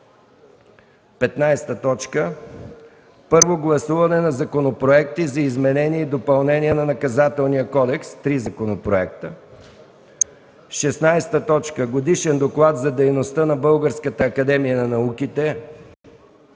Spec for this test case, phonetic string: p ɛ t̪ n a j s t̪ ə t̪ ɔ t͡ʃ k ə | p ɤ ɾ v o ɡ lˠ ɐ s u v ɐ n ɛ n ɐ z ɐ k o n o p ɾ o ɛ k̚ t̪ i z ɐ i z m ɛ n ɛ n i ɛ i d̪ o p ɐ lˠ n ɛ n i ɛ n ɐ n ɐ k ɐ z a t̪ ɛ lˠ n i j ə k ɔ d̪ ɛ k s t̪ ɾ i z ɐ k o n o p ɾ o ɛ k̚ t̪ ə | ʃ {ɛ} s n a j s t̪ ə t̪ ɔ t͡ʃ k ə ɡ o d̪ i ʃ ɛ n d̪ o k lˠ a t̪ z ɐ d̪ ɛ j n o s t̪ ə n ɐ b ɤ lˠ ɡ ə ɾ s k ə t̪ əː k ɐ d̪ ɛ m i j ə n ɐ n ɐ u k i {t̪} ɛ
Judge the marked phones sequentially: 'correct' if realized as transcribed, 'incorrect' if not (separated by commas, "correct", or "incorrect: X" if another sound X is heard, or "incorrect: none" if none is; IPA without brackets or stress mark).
correct, correct